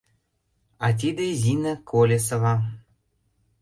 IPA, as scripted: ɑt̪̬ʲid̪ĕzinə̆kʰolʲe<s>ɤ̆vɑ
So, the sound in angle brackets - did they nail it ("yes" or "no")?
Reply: yes